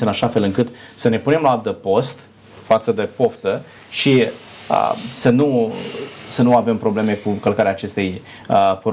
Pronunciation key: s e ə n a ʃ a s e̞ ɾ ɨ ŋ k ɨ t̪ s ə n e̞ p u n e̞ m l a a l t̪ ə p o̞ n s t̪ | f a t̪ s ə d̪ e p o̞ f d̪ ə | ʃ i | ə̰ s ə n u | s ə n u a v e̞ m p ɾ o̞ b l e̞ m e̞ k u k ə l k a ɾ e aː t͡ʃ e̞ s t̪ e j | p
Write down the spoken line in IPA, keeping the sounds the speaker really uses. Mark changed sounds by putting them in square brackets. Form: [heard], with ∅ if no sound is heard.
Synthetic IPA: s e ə n a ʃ a [f] e̞ [l] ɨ ŋ k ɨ t̪ s ə n e̞ p u n e̞ m l a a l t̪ ə p o̞ [∅] s t̪ | f a t̪ s ə d̪ e p o̞ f [t̪] ə | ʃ i | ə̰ s ə n u | s ə n u a v e̞ m p ɾ o̞ b l e̞ m e̞ k u k ə l k a ɾ e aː t͡ʃ e̞ s t̪ e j | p